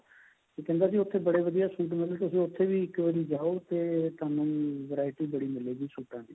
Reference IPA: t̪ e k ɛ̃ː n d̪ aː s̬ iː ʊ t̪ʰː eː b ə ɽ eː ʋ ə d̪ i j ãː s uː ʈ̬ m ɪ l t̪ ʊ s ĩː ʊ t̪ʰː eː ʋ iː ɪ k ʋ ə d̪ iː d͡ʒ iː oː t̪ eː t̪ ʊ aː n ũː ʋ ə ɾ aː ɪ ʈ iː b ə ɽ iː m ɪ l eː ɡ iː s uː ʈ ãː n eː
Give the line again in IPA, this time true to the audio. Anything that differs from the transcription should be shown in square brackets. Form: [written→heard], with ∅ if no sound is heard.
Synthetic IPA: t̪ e k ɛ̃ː n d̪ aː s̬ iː ʊ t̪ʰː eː b ə ɽ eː ʋ ə d̪ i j [ãː→aː] s uː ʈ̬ m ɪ l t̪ ʊ s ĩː ʊ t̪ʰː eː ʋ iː ɪ k ʋ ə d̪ iː d͡ʒ [iː→aː] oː t̪ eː t̪ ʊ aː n ũː ʋ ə ɾ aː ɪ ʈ iː b ə ɽ iː m ɪ l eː ɡ iː s uː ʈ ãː n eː

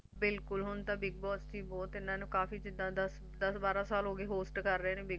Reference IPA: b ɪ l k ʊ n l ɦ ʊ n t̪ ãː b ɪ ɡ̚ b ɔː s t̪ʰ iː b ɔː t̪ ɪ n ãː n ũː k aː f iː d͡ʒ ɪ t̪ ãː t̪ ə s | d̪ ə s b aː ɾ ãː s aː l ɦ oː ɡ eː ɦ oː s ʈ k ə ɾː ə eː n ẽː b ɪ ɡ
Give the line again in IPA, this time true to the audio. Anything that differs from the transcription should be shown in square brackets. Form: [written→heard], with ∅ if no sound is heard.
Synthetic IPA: b ɪ l k ʊ [n→∅] l ɦ ʊ n t̪ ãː b ɪ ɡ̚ b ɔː s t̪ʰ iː b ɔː t̪ ɪ n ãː n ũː k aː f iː d͡ʒ ɪ [t̪→d̪] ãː [t̪→d̪] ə s | d̪ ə s b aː ɾ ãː s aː l ɦ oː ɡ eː ɦ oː s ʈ k ə ɾː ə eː n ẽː b ɪ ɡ

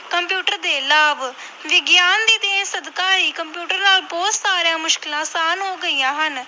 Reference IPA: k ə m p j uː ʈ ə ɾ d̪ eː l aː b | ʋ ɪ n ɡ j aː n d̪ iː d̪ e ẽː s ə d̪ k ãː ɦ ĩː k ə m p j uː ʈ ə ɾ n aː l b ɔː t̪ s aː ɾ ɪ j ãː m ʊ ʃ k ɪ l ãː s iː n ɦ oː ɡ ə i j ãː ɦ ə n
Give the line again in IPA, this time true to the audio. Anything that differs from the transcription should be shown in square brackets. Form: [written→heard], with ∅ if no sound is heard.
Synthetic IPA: k ə m p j uː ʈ ə ɾ d̪ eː l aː b | ʋ ɪ [n→∅] ɡ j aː n d̪ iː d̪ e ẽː s ə d̪ k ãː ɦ [ĩː→iː] k ə m p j uː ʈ ə ɾ n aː l b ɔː t̪ s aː ɾ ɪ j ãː m ʊ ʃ k ɪ l ãː s [iː→aː] n ɦ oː ɡ ə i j ãː ɦ ə n

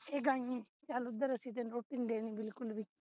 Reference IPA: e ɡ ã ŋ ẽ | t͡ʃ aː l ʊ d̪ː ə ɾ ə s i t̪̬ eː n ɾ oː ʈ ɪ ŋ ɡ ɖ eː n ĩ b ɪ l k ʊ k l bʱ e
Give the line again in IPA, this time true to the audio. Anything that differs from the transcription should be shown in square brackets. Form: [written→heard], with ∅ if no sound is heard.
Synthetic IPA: e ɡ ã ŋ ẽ | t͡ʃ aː l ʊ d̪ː ə ɾ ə s i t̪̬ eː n ɾ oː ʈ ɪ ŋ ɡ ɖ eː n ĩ b ɪ l k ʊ [k→∅] l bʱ [e→i]

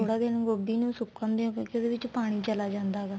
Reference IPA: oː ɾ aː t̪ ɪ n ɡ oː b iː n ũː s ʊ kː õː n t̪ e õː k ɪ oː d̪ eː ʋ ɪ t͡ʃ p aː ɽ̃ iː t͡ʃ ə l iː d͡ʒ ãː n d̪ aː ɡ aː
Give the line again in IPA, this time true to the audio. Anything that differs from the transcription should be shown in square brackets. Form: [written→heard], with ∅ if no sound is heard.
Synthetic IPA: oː [ɾ→ɽ] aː [t̪→d̪] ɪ n ɡ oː b iː n ũː s ʊ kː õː n [t̪→d̪] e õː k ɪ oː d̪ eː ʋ ɪ t͡ʃ p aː ɽ̃ iː t͡ʃ ə l [iː→aː] d͡ʒ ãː n d̪ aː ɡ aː

